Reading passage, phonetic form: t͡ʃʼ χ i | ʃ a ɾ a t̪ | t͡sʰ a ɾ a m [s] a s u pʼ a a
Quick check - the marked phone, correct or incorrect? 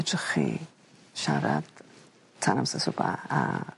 correct